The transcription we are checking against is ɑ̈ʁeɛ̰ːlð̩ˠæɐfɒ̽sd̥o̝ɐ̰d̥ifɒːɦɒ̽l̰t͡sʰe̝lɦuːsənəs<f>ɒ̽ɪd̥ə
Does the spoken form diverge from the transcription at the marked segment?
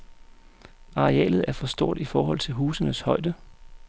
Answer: yes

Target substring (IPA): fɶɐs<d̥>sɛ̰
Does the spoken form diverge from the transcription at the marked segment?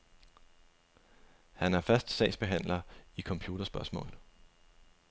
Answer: no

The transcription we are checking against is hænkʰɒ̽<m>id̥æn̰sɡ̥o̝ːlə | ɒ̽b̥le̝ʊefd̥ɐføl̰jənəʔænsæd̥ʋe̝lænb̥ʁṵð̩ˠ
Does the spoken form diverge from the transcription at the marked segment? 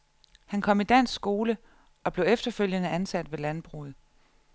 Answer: no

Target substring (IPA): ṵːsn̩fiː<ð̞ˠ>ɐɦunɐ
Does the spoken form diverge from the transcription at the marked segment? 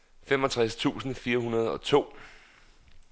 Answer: yes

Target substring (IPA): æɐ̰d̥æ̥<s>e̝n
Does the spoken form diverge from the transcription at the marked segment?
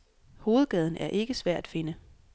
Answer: yes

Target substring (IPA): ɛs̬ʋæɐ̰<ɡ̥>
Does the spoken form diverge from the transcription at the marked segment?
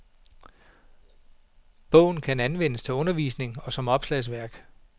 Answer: no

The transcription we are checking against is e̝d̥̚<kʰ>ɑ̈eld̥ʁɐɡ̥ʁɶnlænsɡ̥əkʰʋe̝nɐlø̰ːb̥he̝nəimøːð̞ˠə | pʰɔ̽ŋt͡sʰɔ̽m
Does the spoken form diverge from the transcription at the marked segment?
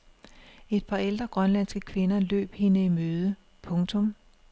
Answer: yes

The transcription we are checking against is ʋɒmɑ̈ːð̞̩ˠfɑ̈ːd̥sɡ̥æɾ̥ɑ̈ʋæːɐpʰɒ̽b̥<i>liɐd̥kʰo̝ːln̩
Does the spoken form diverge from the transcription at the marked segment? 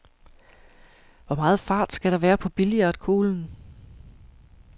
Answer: no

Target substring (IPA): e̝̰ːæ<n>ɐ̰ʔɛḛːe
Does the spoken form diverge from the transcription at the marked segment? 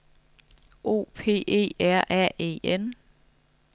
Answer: yes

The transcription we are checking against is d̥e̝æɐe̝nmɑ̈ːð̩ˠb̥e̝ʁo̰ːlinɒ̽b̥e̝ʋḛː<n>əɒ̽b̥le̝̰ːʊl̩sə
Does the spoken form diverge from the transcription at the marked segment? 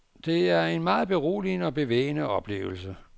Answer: no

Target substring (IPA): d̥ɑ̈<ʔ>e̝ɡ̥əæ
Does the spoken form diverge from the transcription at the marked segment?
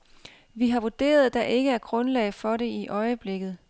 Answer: no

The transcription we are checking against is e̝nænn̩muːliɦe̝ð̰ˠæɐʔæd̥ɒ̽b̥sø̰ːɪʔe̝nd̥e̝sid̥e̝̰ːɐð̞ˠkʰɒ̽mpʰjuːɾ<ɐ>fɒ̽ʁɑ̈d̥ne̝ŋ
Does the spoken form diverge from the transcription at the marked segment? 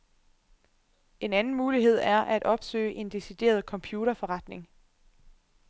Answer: no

